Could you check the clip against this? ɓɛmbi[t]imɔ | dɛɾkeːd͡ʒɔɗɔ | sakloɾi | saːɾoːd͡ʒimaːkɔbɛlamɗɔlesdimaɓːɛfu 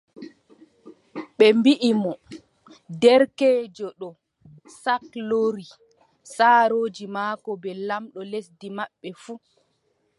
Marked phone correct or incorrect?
incorrect